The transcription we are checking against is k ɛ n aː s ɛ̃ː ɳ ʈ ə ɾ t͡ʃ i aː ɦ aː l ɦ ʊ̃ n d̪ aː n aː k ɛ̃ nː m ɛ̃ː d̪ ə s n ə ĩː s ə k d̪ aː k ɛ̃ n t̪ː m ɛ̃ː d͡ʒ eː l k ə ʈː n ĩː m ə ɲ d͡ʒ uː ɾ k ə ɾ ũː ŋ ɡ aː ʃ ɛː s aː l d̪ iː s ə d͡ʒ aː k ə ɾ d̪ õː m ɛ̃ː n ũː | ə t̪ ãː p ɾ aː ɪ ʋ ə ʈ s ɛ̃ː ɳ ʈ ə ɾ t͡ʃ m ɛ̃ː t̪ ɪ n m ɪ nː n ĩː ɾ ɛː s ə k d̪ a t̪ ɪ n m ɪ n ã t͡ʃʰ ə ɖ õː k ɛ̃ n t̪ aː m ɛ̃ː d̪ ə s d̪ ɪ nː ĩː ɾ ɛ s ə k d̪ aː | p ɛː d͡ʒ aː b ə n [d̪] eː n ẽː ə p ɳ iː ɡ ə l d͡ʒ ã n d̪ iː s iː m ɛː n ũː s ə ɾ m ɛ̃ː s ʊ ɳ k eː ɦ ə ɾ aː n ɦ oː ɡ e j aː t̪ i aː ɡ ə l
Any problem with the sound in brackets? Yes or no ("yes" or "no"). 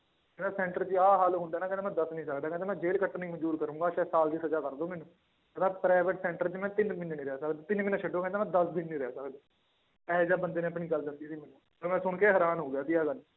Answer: no